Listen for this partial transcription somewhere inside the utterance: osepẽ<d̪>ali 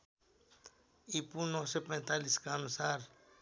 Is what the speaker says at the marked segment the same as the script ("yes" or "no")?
no